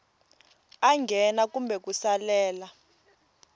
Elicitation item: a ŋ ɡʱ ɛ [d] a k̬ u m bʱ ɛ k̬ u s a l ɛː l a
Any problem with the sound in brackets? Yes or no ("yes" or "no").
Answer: yes